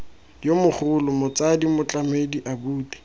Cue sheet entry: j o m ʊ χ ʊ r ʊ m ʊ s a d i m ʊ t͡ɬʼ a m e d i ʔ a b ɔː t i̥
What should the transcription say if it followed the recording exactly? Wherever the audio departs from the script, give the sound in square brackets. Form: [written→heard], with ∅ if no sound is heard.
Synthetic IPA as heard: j o m ʊ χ ʊ [r→l] ʊ m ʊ [s→t͡s] a d i m ʊ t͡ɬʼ a m e d i ʔ a b [ɔː→uː] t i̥